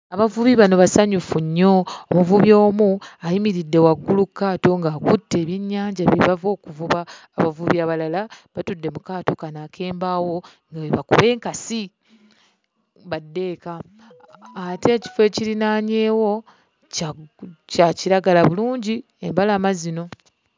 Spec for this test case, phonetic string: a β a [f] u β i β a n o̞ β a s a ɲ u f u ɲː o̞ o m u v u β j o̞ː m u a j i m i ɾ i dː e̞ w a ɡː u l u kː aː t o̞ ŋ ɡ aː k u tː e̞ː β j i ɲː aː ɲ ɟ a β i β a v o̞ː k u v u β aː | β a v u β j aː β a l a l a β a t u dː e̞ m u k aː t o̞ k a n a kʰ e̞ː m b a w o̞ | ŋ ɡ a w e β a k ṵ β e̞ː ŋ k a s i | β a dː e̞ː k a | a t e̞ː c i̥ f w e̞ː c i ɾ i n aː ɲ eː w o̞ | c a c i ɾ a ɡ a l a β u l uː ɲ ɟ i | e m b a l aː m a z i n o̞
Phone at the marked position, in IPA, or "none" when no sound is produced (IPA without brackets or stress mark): v